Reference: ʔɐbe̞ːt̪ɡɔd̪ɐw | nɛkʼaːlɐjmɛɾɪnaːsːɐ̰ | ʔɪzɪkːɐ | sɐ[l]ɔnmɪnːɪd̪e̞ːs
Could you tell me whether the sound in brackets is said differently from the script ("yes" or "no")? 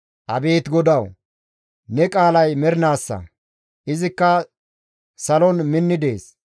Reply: no